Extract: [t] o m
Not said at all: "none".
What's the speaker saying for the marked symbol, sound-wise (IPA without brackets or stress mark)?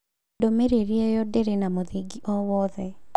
d